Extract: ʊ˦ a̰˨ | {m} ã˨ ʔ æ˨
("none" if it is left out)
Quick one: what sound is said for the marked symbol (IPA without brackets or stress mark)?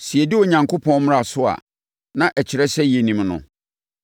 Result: n